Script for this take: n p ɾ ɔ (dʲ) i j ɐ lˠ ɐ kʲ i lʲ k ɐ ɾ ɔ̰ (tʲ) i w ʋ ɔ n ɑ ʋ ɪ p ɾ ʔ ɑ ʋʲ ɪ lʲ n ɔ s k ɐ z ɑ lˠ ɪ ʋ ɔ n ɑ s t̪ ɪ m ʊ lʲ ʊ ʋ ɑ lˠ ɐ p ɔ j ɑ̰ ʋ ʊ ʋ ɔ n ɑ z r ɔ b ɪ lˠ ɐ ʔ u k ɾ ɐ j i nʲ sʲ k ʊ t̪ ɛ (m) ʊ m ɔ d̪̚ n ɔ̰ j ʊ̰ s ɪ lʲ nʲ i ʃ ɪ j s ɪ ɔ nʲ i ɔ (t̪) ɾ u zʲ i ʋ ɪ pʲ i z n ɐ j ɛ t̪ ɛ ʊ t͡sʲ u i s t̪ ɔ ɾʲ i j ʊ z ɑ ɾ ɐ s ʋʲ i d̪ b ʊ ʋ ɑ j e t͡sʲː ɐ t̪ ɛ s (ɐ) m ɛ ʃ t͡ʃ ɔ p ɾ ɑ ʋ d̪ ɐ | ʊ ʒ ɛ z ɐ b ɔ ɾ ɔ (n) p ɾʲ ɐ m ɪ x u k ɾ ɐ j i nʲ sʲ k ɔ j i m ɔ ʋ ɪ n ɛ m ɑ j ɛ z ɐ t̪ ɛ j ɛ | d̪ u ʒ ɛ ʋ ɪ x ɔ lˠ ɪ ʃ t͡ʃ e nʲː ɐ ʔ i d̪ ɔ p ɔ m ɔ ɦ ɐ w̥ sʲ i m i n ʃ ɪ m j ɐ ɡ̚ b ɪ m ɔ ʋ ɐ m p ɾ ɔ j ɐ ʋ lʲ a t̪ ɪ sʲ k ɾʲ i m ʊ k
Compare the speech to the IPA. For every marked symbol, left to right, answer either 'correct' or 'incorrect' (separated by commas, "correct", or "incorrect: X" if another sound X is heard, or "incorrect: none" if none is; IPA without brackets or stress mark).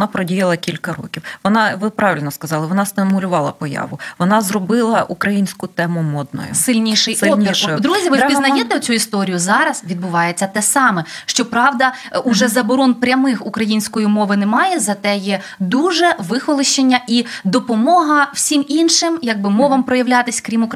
correct, incorrect: kʲ, correct, incorrect: d̪, incorrect: ɑ, correct